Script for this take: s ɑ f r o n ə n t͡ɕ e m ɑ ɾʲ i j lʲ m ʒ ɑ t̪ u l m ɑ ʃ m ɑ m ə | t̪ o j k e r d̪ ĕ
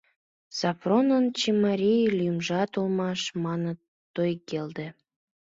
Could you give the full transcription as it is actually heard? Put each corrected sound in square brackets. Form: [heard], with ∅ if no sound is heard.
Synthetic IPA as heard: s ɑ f r o n ə n t͡ɕ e m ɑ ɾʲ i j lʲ m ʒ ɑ t̪ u l m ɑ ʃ m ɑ [n] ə | t̪ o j k e [l] d̪ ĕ